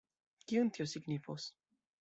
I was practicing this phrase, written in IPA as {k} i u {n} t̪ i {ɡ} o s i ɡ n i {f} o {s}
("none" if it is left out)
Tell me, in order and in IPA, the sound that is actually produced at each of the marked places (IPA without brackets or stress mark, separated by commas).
k, n, none, f, s